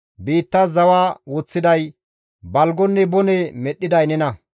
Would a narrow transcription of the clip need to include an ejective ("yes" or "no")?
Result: no